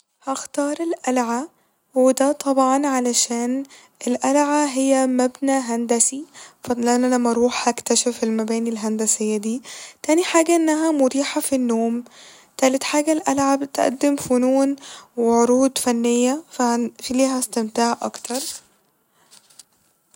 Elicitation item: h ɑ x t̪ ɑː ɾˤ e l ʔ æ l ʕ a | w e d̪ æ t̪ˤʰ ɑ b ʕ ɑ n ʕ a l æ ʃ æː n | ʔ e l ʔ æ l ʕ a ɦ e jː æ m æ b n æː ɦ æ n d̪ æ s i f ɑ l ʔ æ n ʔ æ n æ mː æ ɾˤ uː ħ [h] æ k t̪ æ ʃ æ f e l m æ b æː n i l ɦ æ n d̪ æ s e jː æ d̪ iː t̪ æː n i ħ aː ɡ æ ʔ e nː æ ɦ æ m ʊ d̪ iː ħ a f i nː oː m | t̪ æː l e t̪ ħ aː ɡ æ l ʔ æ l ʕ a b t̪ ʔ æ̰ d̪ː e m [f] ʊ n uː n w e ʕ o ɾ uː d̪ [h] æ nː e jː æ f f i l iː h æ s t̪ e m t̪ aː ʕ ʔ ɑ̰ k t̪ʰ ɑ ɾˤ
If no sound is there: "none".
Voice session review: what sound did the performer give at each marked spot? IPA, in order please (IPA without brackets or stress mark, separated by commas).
h, f, f